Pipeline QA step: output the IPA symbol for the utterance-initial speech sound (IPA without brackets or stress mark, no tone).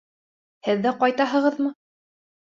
h